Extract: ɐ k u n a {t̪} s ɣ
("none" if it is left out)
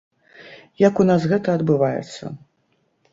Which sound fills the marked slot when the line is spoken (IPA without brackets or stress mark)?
none